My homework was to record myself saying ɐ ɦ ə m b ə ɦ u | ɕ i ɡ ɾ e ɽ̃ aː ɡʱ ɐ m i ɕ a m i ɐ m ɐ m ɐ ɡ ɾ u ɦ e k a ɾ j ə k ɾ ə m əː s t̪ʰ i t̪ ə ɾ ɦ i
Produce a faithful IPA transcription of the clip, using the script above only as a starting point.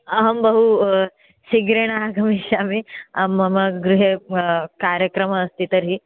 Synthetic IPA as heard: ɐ ɦ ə m b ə ɦ u | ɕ i ɡ ɾ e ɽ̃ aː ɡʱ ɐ m i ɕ a m i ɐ m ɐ m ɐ ɡ ɾ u ɦ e k a ɾ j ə k ɾ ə m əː s t̪ i t̪ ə ɾ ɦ i